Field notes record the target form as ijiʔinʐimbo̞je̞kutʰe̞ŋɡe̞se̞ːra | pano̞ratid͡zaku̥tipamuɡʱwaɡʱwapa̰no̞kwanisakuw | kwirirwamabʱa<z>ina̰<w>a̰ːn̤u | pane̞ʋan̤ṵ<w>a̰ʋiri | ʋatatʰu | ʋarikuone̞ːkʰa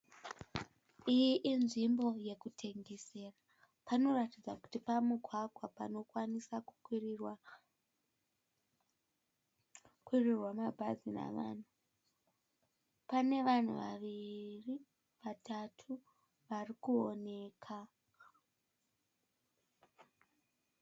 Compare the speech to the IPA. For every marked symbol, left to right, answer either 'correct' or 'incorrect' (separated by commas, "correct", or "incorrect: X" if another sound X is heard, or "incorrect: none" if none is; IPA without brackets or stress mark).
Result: correct, incorrect: ʋ, incorrect: ʋ